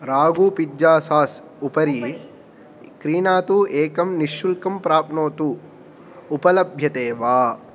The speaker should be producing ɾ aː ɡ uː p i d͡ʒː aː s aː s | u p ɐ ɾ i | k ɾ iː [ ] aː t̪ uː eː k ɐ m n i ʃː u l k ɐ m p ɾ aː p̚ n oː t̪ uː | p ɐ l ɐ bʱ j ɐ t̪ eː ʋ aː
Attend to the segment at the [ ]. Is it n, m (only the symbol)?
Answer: n